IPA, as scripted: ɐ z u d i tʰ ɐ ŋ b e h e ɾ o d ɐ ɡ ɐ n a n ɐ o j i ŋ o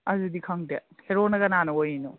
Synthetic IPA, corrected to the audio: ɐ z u d i kʰ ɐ ŋ d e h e ɾ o n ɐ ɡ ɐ n a n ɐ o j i n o